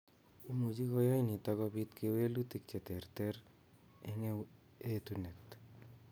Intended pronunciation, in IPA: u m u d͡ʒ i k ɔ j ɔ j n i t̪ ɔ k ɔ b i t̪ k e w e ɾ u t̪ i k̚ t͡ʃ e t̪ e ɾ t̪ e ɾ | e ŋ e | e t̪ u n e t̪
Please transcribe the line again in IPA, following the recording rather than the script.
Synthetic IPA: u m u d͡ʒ i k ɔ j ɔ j n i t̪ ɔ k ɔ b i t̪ k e w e l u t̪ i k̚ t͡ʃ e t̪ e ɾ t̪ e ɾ | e ŋ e | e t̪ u n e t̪